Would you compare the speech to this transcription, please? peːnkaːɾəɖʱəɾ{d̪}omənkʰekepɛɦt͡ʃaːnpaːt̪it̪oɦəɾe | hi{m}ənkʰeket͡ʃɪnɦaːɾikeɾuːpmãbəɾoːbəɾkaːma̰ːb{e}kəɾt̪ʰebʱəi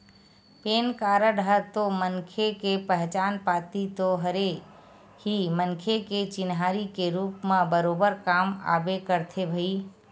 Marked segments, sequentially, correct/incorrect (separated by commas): incorrect, correct, correct